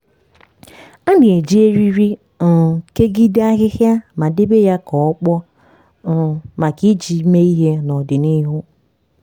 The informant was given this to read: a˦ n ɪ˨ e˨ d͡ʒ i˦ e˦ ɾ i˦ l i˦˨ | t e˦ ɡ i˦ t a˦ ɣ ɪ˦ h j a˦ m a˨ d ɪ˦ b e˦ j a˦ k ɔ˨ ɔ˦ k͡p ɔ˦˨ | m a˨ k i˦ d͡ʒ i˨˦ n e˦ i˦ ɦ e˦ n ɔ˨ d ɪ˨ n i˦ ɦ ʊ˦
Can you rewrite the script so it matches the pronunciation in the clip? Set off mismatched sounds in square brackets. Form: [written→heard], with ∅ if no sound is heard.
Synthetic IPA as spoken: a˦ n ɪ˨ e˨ d͡ʒ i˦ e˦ ɾ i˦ [l→ɾ] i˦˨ | [t→k] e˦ ɡ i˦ [t→d] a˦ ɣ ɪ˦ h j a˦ m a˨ d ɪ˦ b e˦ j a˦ k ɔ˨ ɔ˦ k͡p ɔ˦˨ | m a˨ k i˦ d͡ʒ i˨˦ [n→m] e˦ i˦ ɦ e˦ n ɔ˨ d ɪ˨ n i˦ ɦ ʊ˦